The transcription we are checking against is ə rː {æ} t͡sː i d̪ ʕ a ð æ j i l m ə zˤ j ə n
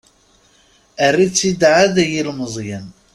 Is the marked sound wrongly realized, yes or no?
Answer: yes